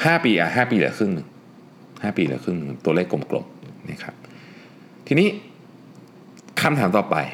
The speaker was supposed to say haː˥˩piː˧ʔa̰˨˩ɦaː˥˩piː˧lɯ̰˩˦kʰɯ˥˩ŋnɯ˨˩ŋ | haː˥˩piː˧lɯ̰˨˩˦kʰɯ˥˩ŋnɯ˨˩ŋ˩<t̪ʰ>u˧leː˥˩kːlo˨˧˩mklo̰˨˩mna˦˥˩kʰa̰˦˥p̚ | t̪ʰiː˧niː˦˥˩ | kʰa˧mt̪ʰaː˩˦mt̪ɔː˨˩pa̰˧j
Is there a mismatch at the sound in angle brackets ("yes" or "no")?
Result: yes